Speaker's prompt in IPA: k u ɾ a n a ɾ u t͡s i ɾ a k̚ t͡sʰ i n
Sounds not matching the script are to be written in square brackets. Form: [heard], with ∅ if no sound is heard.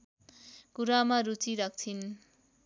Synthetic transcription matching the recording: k u ɾ a [m] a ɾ u t͡s i ɾ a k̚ t͡sʰ i n